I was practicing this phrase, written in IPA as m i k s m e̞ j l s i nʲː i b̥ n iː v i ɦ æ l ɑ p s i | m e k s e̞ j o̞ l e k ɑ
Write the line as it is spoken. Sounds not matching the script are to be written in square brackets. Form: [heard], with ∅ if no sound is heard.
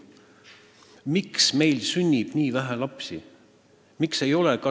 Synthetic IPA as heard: m i k s m e̞ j l s [y] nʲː i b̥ n iː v [æ] ɦ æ l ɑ p s i | m [i] k s e̞ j o̞ l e k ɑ